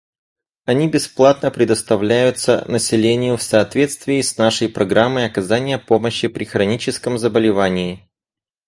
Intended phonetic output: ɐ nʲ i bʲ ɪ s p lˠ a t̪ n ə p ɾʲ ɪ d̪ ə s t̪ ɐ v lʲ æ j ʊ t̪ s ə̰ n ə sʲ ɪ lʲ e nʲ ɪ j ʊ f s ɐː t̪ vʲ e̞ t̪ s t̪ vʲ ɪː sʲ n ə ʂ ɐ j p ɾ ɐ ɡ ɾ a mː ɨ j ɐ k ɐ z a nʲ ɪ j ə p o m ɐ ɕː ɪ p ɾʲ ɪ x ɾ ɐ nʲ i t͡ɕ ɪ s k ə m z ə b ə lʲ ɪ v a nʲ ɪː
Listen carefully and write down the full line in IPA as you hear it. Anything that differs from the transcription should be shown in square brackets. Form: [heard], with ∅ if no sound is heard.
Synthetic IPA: ɐ nʲ i bʲ ɪ s p lˠ a t̪ n ə p ɾʲ ɪ d̪ ə s t̪ ɐ v lʲ æ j ʊ t̪ s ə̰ n ə sʲ ɪ lʲ e nʲ ɪ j ʊ f s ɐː t̪ vʲ e̞ t̪ s t̪ vʲ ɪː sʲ n [a] ʂ [ə] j p ɾ ɐ ɡ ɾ a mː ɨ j ɐ k ɐ z a nʲ ɪ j ə p o m [ə] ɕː ɪ p ɾʲ ɪ x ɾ ɐ nʲ i t͡ɕ ɪ s k ə m z ə b ə lʲ ɪ v a nʲ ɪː